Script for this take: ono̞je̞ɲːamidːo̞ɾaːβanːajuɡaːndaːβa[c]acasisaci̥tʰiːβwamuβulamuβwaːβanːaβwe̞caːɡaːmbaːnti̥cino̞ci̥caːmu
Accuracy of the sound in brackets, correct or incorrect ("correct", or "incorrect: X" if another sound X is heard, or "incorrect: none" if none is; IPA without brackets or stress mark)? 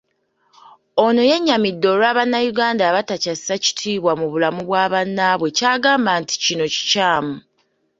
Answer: incorrect: t